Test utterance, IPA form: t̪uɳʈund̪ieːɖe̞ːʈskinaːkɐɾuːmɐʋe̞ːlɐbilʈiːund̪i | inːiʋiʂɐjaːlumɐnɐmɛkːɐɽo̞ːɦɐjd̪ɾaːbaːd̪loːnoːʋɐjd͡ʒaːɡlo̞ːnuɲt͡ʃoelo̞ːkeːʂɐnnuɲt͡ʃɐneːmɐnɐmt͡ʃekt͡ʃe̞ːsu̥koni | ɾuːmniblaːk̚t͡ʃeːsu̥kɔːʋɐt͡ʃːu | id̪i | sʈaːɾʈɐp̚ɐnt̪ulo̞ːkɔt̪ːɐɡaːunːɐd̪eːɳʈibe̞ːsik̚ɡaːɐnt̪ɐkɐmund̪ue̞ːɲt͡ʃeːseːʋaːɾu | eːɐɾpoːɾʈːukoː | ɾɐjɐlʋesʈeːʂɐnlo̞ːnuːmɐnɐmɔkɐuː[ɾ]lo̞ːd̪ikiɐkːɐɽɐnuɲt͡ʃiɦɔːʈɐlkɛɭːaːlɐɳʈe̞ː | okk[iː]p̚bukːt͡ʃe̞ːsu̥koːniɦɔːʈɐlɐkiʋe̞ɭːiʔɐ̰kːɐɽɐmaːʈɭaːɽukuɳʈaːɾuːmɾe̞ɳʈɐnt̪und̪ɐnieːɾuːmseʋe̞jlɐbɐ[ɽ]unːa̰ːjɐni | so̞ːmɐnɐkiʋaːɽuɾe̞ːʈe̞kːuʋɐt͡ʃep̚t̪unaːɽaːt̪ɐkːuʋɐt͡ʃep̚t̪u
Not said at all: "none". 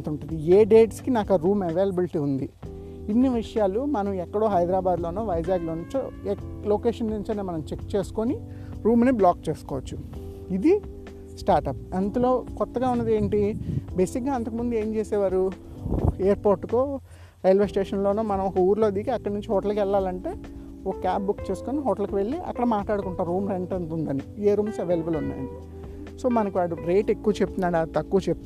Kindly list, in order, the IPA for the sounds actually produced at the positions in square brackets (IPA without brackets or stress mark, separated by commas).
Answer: ɾ, aː, l